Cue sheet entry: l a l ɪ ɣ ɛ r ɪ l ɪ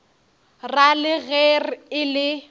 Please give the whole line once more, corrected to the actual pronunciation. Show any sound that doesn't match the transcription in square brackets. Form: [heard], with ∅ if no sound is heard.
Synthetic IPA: [r] a l ɪ ɣ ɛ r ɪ l ɪ

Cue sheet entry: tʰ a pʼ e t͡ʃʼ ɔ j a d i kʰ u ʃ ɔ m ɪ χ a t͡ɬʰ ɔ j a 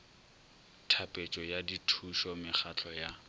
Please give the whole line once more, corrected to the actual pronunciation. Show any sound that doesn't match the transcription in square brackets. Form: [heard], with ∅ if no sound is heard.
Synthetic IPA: tʰ a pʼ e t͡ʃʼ ɔ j a d i [tʰ] u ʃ ɔ m ɪ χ a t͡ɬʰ ɔ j a

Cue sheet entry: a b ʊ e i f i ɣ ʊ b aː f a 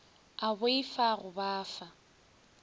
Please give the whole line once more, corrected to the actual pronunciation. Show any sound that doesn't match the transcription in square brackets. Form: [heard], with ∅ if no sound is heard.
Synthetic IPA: a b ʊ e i f [a] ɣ ʊ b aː f a

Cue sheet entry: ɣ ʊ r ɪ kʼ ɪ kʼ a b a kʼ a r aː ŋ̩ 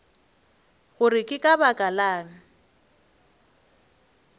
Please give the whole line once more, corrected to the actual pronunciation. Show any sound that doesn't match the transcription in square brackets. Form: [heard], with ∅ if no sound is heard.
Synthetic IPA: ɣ ʊ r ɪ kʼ ɪ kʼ a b a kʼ a [l] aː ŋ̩

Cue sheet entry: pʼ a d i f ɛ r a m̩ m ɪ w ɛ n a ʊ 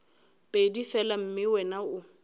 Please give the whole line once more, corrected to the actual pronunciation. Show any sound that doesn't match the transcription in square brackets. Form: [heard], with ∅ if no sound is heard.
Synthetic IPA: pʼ [e] d i f ɛ [l] a m̩ m ɪ w ɛ n a ʊ

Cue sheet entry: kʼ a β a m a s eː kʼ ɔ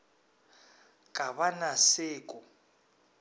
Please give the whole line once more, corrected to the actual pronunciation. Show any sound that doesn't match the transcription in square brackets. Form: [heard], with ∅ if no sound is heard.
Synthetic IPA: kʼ a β a [n] a s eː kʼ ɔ

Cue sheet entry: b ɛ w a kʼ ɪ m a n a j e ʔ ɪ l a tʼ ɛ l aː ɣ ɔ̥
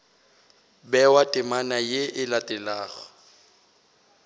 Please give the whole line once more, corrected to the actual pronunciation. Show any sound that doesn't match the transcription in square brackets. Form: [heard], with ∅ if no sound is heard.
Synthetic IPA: b ɛ w a [tʼ] ɪ m a n a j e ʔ ɪ l a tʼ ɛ l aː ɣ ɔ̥

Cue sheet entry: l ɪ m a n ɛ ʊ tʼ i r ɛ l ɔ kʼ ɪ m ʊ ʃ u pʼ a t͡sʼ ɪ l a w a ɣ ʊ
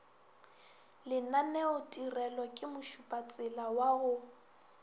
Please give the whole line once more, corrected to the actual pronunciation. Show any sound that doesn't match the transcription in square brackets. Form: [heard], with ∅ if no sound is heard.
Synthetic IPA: l ɪ [n] a n ɛ ʊ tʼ i r ɛ l ɔ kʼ ɪ m ʊ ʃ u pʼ a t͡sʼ ɪ l a w a ɣ ʊ

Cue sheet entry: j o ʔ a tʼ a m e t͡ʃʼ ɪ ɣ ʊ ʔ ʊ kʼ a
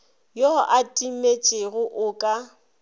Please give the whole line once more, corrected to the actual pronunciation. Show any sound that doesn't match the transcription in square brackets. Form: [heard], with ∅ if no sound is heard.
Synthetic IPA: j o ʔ a tʼ [i] m e t͡ʃʼ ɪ ɣ ʊ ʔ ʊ kʼ a

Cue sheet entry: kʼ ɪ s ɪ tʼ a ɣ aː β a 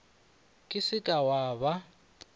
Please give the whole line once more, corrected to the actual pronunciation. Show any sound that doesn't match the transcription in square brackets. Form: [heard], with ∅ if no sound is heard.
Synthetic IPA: kʼ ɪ s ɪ [kʼ] a [w] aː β a

